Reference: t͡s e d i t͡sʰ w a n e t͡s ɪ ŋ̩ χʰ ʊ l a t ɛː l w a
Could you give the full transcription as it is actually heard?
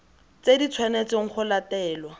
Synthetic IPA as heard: t͡s e d i t͡sʰ w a n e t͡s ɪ ŋ̩ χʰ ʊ l a t ɛː l w a